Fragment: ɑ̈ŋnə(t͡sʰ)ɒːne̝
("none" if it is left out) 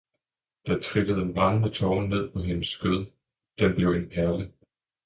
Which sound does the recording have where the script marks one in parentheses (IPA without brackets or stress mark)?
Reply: t͡sʰ